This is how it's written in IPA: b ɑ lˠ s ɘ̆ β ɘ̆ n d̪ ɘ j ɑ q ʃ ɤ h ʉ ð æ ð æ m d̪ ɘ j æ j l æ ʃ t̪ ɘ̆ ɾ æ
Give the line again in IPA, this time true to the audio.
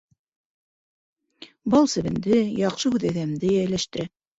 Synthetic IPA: b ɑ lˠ s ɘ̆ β ɘ̆ n d̪ ɘ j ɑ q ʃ ɤ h ʉ ð æ ð æ m d̪ ɘ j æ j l æ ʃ t̪ ɘ̆ ɾ æ